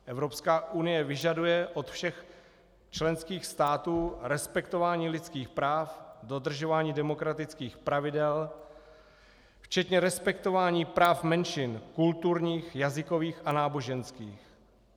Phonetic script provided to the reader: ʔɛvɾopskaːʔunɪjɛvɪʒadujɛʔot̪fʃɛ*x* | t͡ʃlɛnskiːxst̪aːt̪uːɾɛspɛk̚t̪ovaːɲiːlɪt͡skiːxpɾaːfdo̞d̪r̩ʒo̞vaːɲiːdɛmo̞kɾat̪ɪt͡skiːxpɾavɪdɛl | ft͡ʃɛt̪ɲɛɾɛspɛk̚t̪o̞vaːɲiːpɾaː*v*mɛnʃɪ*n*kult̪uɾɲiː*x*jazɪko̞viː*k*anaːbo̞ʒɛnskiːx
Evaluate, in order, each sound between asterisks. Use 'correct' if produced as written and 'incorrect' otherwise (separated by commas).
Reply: correct, incorrect, correct, correct, incorrect